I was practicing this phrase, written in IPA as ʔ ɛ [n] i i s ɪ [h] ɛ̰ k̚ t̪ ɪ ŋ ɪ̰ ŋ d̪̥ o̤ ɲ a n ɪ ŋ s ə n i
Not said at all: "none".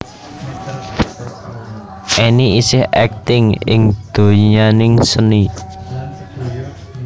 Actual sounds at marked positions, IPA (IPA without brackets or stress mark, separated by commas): n, h